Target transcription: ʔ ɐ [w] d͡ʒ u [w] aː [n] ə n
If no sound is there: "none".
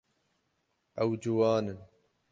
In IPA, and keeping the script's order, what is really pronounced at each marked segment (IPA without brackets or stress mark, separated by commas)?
w, w, n